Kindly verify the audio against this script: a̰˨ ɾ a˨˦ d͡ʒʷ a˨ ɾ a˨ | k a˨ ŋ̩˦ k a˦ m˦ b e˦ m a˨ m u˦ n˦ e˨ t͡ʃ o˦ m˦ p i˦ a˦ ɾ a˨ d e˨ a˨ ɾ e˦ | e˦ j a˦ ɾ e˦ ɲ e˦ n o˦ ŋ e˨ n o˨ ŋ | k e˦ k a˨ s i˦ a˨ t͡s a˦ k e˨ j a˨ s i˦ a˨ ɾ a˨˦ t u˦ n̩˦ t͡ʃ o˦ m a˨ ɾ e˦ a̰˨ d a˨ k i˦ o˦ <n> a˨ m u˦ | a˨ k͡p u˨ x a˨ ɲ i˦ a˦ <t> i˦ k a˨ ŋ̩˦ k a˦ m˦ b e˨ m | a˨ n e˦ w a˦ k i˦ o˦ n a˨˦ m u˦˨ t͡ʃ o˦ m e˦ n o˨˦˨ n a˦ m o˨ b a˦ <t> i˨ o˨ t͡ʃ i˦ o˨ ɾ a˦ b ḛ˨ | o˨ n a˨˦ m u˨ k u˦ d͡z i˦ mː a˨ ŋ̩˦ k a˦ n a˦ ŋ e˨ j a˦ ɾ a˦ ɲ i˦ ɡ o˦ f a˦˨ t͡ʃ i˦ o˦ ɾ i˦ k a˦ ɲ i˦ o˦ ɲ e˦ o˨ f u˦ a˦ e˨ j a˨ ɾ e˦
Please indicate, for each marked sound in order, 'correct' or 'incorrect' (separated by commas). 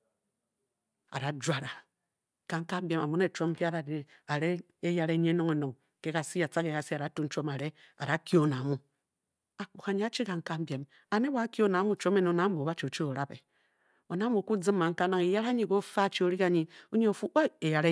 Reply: correct, incorrect, incorrect